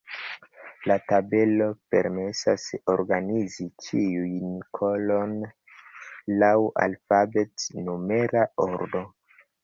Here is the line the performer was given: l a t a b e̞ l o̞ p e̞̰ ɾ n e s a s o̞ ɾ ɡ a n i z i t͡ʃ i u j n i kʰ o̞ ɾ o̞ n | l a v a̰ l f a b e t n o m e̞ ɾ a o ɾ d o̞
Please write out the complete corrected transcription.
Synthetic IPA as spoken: l a t a b e̞ l o̞ p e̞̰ ɾ m e s a s o̞ ɾ ɡ a n i z i t͡ʃ i u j n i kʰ o̞ l o̞ n | l a w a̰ l f a b e t n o m e̞ ɾ a o ɾ d o̞